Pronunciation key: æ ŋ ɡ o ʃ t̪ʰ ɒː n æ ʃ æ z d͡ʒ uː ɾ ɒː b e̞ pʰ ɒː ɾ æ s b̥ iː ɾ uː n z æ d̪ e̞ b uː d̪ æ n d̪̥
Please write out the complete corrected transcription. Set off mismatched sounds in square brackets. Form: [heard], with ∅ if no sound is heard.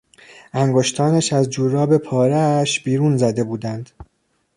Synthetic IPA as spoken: æ ŋ ɡ o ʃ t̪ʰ ɒː n æ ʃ æ z d͡ʒ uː ɾ ɒː b e̞ pʰ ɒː ɾ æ [ʃ] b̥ iː ɾ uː n z æ d̪ e̞ b uː d̪ æ n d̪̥